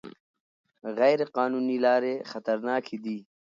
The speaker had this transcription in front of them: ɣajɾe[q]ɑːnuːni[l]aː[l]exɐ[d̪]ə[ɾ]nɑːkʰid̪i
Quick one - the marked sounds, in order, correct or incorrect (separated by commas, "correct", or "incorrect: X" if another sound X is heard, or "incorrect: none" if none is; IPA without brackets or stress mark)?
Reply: correct, correct, incorrect: ɾ, incorrect: t̪, correct